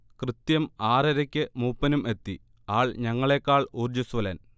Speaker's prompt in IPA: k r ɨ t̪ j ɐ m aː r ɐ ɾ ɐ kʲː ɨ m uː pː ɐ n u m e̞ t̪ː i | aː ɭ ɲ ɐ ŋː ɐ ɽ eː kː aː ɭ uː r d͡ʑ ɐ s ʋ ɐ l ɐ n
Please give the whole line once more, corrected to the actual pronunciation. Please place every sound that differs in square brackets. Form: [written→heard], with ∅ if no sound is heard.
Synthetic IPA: k r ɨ t̪ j ɐ m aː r ɐ ɾ ɐ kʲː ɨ m uː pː ɐ n u m e̞ t̪ː i | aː ɭ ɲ ɐ ŋː ɐ [ɽ→ɭ] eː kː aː ɭ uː r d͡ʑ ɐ s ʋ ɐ l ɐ n

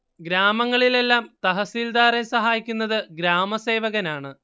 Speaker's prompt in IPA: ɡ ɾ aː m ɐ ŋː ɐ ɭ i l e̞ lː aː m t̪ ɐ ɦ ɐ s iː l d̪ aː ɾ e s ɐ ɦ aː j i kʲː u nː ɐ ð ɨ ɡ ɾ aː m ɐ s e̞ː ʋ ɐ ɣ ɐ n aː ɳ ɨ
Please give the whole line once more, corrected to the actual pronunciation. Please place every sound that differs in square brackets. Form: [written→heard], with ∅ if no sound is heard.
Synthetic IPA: ɡ ɾ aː m ɐ ŋː ɐ ɭ i l e̞ lː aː m t̪ ɐ ɦ ɐ s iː l d̪ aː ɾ e s ɐ ɦ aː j i kʲː u nː ɐ ð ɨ ɡ ɾ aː m ɐ s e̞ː ʋ ɐ ɣ ɐ n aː ɳ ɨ

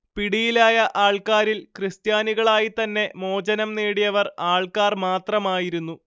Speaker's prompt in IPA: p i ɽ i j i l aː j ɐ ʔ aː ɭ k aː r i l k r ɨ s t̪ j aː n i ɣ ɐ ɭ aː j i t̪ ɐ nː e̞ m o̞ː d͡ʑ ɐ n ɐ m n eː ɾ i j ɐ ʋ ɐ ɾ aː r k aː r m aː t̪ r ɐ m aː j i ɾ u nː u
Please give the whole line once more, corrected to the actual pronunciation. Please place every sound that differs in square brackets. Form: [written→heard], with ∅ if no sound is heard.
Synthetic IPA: p i ɽ i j i l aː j ɐ ʔ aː ɭ k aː [r→ɾ] i l k r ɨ s t̪ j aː n i ɣ ɐ ɭ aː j i t̪ ɐ nː e̞ m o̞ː d͡ʑ ɐ n ɐ m n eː [ɾ→ɽ] i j ɐ ʋ ɐ [ɾ→r] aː [r→ɭ] k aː r m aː t̪ r ɐ m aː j i ɾ u nː u

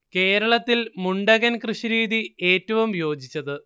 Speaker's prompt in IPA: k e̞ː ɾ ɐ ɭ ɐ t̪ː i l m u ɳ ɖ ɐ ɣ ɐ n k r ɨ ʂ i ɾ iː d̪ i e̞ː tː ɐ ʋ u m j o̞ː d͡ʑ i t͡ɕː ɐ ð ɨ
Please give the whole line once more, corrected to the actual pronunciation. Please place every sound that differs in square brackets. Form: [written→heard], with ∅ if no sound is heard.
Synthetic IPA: k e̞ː ɾ ɐ ɭ ɐ t̪ː i l m u ɳ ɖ ɐ ɣ ɐ n k r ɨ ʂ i ɾ iː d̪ i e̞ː tː ɐ ʋ u m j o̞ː d͡ʑ i t͡ɕː ɐ ð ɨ

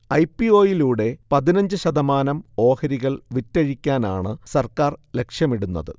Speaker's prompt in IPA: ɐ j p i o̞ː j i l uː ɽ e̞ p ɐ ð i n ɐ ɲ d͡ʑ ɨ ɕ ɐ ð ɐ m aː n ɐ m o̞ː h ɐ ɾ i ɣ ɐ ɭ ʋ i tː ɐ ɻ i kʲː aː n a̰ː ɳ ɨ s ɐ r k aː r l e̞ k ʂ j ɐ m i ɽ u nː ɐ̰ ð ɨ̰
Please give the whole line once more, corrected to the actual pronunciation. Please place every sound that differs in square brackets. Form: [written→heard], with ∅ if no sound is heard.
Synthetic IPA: ɐ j p i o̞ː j i l uː ɽ e̞ p ɐ ð i n ɐ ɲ d͡ʑ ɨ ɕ ɐ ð ɐ m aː n ɐ m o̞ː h ɐ ɾ i ɣ ɐ ɭ ʋ i tː ɐ ɻ i kʲː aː n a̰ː ɳ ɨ s ɐ r k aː r l e̞ k ʂ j ɐ m i ɽ u nː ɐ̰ ð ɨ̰

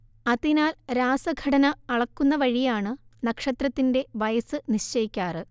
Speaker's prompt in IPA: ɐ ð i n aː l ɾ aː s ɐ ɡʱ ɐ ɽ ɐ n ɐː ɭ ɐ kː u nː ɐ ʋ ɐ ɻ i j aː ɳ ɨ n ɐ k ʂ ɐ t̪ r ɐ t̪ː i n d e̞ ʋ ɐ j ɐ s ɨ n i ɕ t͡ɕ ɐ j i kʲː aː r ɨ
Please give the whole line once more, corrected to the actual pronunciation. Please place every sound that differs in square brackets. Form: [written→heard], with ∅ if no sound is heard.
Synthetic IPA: ɐ ð i n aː l ɾ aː s ɐ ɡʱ ɐ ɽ ɐ n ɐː ɭ ɐ kː u nː ɐ ʋ ɐ ɻ i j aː ɳ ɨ n ɐ k ʂ ɐ t̪ r ɐ t̪ː i n d e̞ ʋ ɐ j ɐ s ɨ n i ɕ t͡ɕ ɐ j i kʲː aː r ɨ

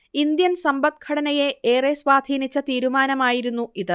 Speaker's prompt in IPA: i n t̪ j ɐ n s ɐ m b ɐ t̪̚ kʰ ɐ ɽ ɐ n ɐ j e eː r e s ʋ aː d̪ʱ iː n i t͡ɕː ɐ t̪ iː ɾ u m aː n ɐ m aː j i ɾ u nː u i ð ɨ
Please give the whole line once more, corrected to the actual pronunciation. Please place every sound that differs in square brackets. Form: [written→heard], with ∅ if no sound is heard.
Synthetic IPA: i n [t̪→d̪] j ɐ n s ɐ m b ɐ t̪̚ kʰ ɐ ɽ ɐ n ɐ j e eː r e s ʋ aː d̪ʱ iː n i t͡ɕː ɐ t̪ iː ɾ u m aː n ɐ m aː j i ɾ u nː u i ð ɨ

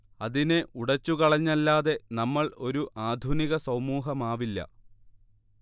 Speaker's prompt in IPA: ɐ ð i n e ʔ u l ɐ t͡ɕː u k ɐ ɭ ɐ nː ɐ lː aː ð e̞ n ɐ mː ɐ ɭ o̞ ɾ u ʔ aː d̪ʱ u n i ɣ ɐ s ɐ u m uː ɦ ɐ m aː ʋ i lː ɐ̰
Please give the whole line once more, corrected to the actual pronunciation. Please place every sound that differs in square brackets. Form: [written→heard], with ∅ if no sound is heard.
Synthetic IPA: ɐ ð i n e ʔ u [l→ɽ] ɐ t͡ɕː u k ɐ ɭ ɐ [nː→ɲː] ɐ lː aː ð e̞ n ɐ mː ɐ ɭ o̞ ɾ u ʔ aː d̪ʱ u n i ɣ ɐ s ɐ [u→w] m uː ɦ ɐ m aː ʋ i lː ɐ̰

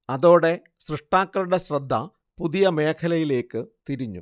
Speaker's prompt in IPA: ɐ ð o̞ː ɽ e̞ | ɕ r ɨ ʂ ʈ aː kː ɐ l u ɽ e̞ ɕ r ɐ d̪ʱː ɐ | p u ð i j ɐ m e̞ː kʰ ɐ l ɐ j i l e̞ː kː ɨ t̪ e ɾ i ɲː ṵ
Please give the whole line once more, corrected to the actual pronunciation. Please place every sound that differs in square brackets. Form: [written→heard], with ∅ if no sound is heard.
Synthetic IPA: ɐ ð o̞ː ɽ e̞ | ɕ r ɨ ʂ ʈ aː kː ɐ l u ɽ e̞ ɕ r ɐ d̪ʱː ɐ | p u ð i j ɐ m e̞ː kʰ ɐ l ɐ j i l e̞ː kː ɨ t̪ [e→i] ɾ i ɲː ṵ

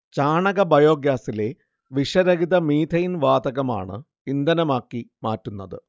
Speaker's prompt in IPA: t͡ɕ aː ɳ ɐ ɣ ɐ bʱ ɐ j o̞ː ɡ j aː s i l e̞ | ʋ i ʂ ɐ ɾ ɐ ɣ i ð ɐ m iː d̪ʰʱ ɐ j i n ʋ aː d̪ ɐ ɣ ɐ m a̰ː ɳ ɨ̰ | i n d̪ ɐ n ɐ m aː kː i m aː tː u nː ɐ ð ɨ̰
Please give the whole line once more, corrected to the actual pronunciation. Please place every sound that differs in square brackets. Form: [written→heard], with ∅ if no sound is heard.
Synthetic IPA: t͡ɕ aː ɳ ɐ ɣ ɐ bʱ ɐ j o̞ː ɡ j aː s i l e̞ | ʋ i ʂ ɐ ɾ ɐ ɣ i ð ɐ m iː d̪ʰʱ ɐ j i n ʋ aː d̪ ɐ ɣ ɐ m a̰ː ɳ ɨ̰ | i n d̪ ɐ n ɐ m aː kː i m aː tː u nː ɐ ð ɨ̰

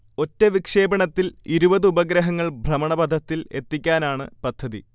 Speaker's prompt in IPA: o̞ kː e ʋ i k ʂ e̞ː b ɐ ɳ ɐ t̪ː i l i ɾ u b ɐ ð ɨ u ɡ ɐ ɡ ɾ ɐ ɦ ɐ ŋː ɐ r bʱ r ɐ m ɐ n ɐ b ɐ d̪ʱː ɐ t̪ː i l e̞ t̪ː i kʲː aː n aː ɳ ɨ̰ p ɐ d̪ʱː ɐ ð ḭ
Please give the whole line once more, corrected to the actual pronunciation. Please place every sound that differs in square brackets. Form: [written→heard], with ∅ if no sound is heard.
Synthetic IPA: o̞ [kː→tː] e ʋ i k ʂ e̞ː b ɐ ɳ ɐ t̪ː i l i ɾ u b ɐ ð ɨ u [ɡ→b] ɐ ɡ ɾ ɐ ɦ ɐ ŋː ɐ [r→ɭ] bʱ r ɐ m ɐ [n→ɳ] ɐ b ɐ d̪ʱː ɐ t̪ː i l e̞ t̪ː i kʲː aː n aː ɳ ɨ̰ p ɐ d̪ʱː ɐ ð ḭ

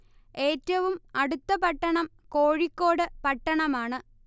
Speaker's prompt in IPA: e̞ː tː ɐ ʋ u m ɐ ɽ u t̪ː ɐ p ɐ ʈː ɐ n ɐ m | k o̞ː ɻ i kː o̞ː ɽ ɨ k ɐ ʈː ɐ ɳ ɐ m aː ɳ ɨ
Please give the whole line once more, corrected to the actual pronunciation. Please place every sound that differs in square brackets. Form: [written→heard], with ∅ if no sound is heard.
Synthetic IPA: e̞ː tː ɐ ʋ u m ɐ ɽ u t̪ː ɐ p ɐ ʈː ɐ [n→ɳ] ɐ m | k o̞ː ɻ i kː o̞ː ɽ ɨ [k→p] ɐ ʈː ɐ ɳ ɐ m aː ɳ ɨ

